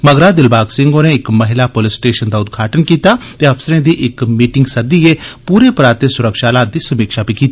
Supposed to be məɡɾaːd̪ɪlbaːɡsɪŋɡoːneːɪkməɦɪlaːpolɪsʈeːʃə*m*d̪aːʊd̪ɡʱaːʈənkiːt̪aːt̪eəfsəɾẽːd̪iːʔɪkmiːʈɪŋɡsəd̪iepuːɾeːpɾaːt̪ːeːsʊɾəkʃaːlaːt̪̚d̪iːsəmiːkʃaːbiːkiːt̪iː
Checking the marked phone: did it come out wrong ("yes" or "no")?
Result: yes